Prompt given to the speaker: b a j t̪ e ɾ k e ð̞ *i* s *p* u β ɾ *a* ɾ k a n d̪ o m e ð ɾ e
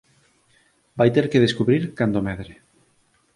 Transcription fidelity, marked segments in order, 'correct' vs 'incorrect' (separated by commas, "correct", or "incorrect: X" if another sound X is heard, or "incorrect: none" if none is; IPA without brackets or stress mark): incorrect: e, incorrect: k, incorrect: i